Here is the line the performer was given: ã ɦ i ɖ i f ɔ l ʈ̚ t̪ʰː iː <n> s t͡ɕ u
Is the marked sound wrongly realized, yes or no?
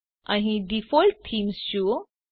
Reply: yes